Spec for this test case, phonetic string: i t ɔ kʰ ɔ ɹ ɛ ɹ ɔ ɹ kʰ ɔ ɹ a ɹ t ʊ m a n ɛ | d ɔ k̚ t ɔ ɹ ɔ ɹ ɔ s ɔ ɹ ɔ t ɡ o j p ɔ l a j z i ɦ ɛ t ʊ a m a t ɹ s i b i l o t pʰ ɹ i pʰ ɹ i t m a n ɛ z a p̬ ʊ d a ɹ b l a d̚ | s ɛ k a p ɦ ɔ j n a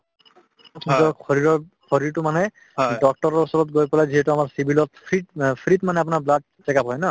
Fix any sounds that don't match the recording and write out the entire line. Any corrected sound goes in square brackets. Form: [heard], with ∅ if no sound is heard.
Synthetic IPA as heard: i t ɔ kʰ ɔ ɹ [i] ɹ ɔ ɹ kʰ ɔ ɹ [i] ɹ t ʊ m a n ɛ | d ɔ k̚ t ɔ ɹ ɔ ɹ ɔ s ɔ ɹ ɔ t ɡ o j p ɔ l a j z i ɦ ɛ t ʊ a m a [∅] ɹ s i b i l [ɔ] t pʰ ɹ i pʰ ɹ i t m a n ɛ [∅] a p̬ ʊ [n] a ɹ b l a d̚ | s ɛ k a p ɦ ɔ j n a